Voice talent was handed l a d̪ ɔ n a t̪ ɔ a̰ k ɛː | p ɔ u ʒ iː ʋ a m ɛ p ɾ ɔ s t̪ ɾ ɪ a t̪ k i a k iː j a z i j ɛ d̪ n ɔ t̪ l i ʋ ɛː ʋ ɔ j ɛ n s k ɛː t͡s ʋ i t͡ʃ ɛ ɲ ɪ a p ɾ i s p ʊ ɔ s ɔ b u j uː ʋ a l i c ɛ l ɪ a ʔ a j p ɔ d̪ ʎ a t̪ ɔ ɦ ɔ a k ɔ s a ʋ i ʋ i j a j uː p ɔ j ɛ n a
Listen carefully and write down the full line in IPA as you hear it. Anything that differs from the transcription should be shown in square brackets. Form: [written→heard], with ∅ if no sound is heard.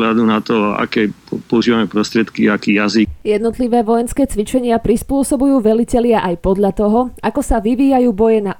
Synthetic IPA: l a d̪ [ɔ→u] n a t̪ ɔ a̰ k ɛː | p ɔ u ʒ iː ʋ a m ɛ p ɾ ɔ s t̪ ɾ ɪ [a→ɛ] t̪ k i a k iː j a z i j ɛ d̪ n ɔ t̪ l i ʋ ɛː ʋ ɔ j ɛ n s k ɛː t͡s ʋ i t͡ʃ ɛ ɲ ɪ a p ɾ i s p ʊ ɔ s ɔ b u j uː ʋ [a→ɛ] l i c ɛ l ɪ a ʔ a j p ɔ d̪ ʎ a t̪ ɔ ɦ ɔ a k ɔ s a ʋ i ʋ [i→iː] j a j uː [p→b] ɔ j ɛ n a